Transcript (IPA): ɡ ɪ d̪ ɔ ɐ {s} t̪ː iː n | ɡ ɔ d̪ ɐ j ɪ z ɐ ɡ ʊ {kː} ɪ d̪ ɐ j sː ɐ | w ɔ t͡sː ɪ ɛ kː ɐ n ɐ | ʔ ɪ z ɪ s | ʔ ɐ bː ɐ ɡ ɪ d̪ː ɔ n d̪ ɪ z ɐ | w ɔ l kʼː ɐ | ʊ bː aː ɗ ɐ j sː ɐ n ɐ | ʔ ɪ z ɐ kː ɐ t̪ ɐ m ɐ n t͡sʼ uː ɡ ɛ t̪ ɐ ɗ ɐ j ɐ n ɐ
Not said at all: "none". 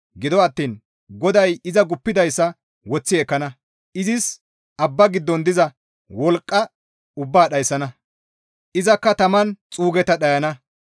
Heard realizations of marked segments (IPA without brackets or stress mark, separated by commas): none, pː